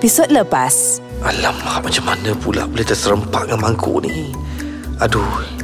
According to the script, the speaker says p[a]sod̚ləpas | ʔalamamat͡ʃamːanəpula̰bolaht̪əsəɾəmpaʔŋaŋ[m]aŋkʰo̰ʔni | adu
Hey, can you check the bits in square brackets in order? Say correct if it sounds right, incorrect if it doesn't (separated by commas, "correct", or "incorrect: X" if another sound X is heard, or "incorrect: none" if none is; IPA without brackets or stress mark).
incorrect: i, correct